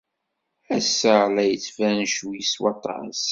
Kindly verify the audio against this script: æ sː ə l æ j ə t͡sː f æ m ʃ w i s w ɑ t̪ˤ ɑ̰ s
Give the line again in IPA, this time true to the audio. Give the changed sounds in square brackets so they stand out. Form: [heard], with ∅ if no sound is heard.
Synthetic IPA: æ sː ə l æ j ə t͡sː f æ [n] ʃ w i s w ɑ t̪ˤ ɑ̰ s